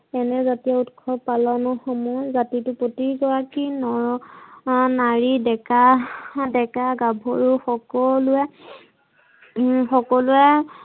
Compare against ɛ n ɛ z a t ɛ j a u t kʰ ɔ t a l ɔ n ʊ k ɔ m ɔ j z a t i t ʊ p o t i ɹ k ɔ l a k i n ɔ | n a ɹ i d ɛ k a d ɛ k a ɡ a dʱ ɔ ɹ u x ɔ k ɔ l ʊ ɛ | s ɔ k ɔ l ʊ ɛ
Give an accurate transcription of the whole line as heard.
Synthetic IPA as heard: ɛ n ɛ z a t i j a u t kʰ ɔ p a l ɔ n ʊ x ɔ m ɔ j z a t i t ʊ p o t i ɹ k ɔ ɹ a k i n ɔ | n a ɹ i d ɛ k a d ɛ k a ɡ a bʱ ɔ ɹ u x ɔ k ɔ l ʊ ɛ | x ɔ k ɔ l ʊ ɛ